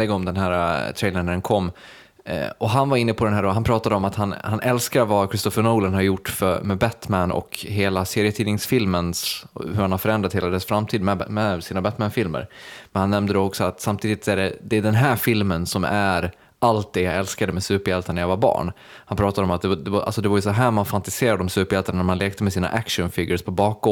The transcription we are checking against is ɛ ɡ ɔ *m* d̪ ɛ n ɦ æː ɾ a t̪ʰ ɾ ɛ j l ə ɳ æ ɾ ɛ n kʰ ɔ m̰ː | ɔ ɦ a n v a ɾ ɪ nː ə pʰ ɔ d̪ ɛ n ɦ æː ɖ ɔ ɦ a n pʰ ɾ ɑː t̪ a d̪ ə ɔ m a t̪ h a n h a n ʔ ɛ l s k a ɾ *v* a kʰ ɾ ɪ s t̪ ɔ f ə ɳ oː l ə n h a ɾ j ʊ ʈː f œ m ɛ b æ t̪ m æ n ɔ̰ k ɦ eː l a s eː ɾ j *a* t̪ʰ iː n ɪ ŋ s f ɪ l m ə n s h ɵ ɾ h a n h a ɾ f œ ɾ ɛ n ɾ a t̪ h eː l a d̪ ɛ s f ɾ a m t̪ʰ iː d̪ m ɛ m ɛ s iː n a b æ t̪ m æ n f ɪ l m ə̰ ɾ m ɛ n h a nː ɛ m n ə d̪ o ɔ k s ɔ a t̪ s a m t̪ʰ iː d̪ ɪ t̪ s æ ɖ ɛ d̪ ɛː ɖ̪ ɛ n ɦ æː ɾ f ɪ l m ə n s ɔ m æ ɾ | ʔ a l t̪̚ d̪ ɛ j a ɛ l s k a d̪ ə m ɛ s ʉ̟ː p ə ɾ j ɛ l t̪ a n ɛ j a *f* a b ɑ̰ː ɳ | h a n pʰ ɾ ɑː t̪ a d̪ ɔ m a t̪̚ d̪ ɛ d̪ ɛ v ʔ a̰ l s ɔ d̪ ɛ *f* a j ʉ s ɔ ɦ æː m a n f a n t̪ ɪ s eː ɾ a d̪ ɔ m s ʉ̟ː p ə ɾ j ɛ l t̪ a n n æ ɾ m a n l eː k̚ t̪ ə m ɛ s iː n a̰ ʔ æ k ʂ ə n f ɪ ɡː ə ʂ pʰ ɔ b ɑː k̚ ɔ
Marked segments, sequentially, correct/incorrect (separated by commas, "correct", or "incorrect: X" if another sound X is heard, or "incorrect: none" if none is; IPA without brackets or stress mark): correct, correct, incorrect: ə, incorrect: v, incorrect: v